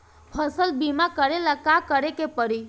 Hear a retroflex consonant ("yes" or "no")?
no